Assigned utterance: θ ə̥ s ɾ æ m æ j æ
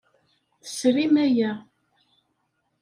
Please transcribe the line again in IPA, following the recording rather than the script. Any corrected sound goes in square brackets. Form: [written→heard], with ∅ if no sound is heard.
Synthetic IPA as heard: θ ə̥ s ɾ [æ→i] m æ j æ